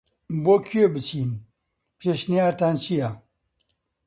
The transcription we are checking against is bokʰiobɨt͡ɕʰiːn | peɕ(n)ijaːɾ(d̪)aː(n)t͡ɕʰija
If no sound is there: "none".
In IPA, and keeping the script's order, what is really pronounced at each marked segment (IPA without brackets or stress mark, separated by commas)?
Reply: n, t̪, n